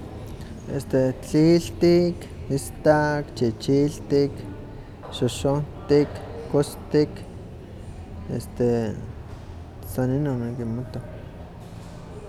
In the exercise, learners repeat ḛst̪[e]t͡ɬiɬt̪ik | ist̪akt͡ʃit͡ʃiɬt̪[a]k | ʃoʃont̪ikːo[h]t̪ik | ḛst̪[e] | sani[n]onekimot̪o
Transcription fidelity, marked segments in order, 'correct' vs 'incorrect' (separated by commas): correct, incorrect, incorrect, correct, correct